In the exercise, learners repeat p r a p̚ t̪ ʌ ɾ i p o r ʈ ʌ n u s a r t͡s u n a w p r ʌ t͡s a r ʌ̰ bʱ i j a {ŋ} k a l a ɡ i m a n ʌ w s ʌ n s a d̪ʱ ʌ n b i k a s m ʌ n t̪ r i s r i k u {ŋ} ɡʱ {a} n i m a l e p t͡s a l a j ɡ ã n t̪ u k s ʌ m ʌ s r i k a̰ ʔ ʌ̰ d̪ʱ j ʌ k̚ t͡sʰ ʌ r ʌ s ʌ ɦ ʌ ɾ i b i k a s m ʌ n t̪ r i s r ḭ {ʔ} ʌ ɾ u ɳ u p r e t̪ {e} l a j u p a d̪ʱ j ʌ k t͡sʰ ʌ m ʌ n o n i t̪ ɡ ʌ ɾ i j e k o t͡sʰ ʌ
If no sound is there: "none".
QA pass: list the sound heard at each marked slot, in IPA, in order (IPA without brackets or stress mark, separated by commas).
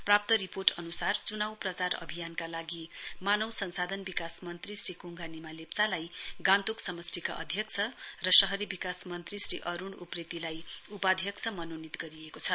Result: n, ŋ, a, ʔ, i